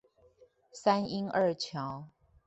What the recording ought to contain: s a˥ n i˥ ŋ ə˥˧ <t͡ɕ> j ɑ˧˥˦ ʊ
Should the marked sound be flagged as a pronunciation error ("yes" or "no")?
yes